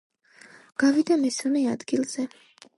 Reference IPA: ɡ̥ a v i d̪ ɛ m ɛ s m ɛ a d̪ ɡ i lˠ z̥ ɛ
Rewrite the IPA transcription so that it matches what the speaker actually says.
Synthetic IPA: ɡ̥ a v i d̪ a m ɛ s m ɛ a d̪ ɡ i lˠ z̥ ɛ

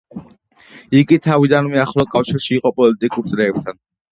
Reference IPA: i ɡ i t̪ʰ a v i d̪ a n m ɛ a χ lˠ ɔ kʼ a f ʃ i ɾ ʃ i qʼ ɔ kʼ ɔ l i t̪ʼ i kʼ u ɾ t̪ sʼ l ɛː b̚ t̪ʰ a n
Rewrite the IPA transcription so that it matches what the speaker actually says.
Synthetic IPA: i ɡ i t̪ʰ a v i d̪ a n m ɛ a χ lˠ ɔ kʼ a f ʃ i ɾ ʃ iː qʼ ɔ pʼ ɔ l i t̪ʼ i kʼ u ɾ t̪ sʼ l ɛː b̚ t̪ʰ a n

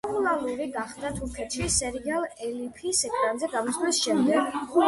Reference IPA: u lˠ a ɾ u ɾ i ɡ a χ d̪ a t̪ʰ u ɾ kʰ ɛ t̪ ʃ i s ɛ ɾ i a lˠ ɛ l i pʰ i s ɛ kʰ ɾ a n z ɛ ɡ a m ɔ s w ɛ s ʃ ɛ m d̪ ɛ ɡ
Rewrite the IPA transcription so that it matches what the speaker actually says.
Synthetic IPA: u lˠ a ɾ u ɾ i ɡ a χ d̪ a t̪ʰ u ɾ kʰ ɛ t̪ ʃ i s ɛ ɾ i a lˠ ɛ l i pʰ i s ɛ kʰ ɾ a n z ɛ ɡ a m ɔ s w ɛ s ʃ ɛ m d̪ ɛ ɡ

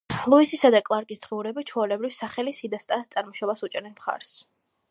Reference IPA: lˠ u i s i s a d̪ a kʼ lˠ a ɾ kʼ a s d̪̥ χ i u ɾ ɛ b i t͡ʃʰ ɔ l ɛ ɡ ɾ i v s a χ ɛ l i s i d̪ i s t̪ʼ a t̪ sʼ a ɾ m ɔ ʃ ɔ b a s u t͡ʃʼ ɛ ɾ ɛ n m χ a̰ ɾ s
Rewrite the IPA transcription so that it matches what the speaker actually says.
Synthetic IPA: lˠ u i s i s a d̪ a kʼ lˠ a ɾ kʼ i s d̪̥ ʁ i u ɾ ɛ b i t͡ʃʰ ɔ l ɛ b ɾ i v s a χ ɛ l i s i d̪ a s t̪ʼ a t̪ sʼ a ɾ m ɔ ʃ ɔ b a s u t͡ʃʼ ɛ ɾ ɛ n m χ a̰ ɾ s

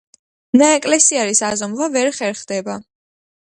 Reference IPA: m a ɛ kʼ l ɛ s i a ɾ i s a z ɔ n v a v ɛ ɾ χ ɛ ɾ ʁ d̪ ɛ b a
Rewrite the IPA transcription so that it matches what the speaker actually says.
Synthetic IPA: n a ɛ kʼ l ɛ s i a ɾ i s a z ɔ m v a v ɛ ɾ χ ɛ ɾ χ d̪ ɛ b a

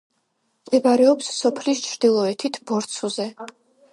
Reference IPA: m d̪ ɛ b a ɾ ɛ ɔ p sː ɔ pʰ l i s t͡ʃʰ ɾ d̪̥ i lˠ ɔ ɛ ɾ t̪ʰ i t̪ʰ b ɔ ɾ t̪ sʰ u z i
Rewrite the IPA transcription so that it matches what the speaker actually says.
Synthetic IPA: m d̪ ɛ b a ɾ ɛ ɔ p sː ɔ pʰ l i s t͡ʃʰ ɾ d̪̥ i lˠ ɔ ɛ t̪ʰ i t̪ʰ b ɔ ɾ t̪ sʰ u z ɛ

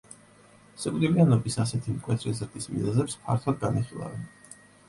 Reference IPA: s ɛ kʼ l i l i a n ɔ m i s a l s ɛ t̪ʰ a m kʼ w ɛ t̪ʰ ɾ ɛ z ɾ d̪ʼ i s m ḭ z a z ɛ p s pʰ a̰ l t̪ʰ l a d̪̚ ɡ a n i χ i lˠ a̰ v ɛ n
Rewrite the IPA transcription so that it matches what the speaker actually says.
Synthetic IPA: s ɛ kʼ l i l i a n ɔ b i s a s ɛ t̪ʰ i m kʼ w ɛ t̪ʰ ɾ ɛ z ɾ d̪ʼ i s m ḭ z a z ɛ p s pʰ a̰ ɾ t̪ʰ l a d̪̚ ɡ a n i χ i lˠ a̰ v ɛ n

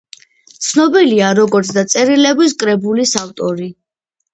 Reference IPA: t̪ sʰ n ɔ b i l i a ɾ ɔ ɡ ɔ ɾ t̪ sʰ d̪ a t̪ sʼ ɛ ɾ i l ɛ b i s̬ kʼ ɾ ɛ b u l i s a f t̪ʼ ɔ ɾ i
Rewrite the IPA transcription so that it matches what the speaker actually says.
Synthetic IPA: t̪ sʰ n ɔ b i l i a ɾ ɔ ɡ ɔ ɾ t̪ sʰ d̪ a t̪ sʼ ɛ ɾ i l ɛ b i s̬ kʼ ɾ ɛ b u l i s a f t̪ʼ ɔ ɾ i

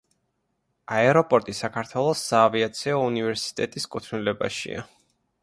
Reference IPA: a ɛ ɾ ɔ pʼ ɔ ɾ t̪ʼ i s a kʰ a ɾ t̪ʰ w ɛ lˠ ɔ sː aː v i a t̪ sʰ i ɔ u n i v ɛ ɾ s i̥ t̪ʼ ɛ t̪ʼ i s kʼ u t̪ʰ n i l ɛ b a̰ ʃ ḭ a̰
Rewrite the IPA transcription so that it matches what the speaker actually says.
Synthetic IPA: a ɛ ɾ ɔ pʼ ɔ ɾ t̪ʼ i s a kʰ a ɾ t̪ʰ w ɛ lˠ ɔ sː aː v i a t̪ sʰ i ɔ u n i v ɛ ɾ s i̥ t̪ʼ ɛ t̪ʼ i s kʼ u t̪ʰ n i l ɛ b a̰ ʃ ḭ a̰

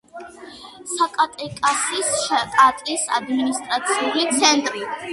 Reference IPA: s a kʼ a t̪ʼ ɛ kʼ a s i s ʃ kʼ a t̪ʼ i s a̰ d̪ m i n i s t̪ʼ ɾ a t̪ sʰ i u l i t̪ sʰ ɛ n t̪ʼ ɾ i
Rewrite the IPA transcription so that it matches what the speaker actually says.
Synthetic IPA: s a kʼ a t̪ʼ ɛ kʼ a s i s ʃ kʼ a t̪ʼ i s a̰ d̪ m i n i s t̪ʼ ɾ a t̪ sʰ i u l i t̪ sʰ ɛ n t̪ʼ ɾ i

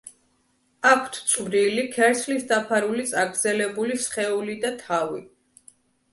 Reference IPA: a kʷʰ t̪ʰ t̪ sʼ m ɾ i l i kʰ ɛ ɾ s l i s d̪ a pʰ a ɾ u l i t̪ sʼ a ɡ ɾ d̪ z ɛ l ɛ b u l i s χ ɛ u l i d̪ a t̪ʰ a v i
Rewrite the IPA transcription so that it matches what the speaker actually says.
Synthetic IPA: a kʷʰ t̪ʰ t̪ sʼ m ɾ i l i kʰ ɛ ɾ s l i s d̪ a pʰ a ɾ u l i t̪ sʼ a ɡ ɾ d̪ z ɛ l ɛ b u l i s χ ɛ u l i d̪ a t̪ʰ a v i

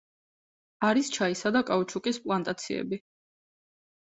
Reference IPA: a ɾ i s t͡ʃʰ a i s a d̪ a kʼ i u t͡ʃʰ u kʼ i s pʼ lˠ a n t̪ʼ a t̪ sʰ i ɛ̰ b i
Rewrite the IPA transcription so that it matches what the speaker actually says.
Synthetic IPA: a ɾ i s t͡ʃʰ a i s a d̪ a kʼ a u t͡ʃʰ u kʼ i s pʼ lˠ a n t̪ʼ a t̪ sʰ i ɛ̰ b i

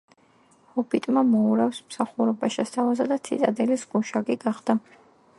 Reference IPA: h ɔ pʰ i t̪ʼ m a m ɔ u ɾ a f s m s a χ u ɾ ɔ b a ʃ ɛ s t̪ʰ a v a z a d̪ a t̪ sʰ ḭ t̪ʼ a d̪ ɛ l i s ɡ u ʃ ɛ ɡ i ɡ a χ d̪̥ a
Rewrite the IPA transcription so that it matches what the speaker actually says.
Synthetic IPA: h ɔ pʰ i t̪ʼ m a m ɔ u ɾ a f s m s a χ u ɾ ɔ b a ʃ ɛ s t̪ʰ a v a z a d̪ a t̪ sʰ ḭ t̪ʼ a d̪ ɛ l i s ɡ u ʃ a ɡ i ɡ a χ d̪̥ a

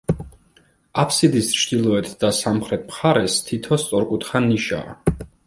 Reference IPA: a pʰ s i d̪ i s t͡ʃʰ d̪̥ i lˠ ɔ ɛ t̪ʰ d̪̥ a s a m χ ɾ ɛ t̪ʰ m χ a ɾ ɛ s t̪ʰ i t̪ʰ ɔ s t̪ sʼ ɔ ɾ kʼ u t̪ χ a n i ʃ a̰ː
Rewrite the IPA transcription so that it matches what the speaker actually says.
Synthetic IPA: a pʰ s i d̪ i s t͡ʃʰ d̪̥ i lˠ ɔ ɛ t̪ʰ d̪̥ a s a m χ ɾ ɛ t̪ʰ m χ a ɾ ɛ s t̪ʰ i t̪ʰ ɔ s t̪ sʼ ɔ ɾ kʼ u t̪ χ a n i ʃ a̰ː

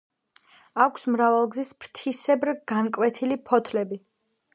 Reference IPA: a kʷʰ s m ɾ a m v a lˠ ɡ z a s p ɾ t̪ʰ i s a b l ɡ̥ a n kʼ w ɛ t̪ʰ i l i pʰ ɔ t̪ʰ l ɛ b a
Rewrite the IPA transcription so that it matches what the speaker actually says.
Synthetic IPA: a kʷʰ s m ɾ a v a lˠ ɡ z i s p ɾ t̪ʰ i s ɛ b ɾ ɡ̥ a n kʼ w ɛ t̪ʰ i l i pʰ ɔ t̪ʰ l ɛ b i

